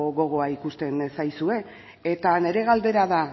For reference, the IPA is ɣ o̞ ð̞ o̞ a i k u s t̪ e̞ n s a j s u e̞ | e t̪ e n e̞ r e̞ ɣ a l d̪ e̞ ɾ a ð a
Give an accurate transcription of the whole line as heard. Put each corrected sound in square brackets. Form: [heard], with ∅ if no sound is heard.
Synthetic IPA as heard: ɣ o̞ [ɣ̞] o̞ a i k u s t̪ e̞ n s a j s u e̞ | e t̪ [a] n e̞ [ɾ] e̞ ɣ a l d̪ e̞ ɾ a ð a